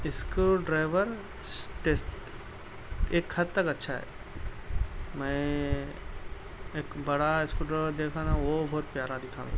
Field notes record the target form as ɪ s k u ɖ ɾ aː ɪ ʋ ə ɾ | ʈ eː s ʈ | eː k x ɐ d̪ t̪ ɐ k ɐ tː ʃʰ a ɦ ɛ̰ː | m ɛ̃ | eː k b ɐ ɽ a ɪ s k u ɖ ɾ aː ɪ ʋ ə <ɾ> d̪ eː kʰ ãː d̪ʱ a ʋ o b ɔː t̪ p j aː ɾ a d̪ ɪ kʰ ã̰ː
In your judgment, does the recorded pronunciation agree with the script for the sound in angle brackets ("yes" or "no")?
yes